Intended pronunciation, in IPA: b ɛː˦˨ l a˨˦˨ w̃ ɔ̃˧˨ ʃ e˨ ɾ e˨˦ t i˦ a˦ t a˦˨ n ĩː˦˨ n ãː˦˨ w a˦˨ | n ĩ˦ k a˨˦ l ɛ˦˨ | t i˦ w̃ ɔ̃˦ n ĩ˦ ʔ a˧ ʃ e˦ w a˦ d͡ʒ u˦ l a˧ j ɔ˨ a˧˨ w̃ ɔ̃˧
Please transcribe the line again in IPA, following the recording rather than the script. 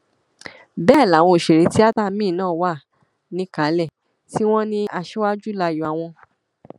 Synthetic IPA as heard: b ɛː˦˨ l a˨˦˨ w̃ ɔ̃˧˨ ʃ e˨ ɾ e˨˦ t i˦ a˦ t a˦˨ m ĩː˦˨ n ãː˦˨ w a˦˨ | n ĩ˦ k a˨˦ l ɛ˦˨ | t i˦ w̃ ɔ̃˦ n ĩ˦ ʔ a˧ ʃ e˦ w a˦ d͡ʒ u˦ l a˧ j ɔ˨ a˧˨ w̃ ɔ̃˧